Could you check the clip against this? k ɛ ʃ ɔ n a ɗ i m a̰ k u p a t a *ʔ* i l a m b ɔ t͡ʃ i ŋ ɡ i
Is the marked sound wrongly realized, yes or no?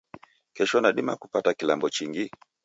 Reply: yes